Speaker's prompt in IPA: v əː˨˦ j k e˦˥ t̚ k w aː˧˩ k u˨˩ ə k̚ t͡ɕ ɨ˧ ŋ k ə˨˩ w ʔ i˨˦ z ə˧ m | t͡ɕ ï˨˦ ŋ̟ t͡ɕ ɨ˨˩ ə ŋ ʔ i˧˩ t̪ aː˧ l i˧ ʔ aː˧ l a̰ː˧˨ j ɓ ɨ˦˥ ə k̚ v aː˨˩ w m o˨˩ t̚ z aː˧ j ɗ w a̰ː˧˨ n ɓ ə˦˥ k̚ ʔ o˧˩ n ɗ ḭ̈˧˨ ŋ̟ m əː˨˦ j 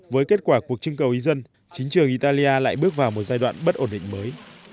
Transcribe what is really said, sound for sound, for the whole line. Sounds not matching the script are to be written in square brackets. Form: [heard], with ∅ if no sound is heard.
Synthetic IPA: v əː˨˦ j k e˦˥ t̚ k w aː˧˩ k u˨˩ ə k̚ t͡ɕ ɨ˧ ŋ k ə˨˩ w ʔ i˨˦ z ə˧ [n] | t͡ɕ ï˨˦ ŋ̟ t͡ɕ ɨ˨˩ ə ŋ ʔ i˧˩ t̪ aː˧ l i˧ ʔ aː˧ l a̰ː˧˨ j ɓ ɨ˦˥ ə k̚ v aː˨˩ w m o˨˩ t̚ z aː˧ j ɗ w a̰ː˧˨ n ɓ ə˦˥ [t̚] ʔ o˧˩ n ɗ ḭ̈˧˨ ŋ̟ m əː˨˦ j